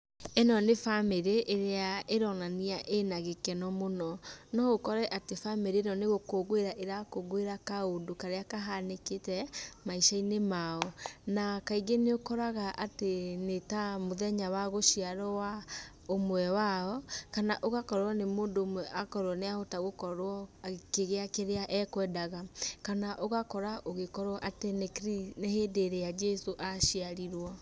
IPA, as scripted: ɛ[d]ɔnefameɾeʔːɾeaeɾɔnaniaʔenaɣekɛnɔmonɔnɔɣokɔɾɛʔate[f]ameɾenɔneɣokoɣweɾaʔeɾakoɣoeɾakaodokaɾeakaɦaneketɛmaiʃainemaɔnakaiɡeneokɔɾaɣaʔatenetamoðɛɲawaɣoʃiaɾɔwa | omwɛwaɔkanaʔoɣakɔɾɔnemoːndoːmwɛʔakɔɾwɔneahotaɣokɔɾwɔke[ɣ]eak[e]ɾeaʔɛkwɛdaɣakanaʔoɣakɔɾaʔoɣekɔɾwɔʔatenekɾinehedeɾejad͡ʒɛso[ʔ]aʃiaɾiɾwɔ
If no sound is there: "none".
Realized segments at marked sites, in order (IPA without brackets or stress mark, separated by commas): n, f, ɣ, e, ʔ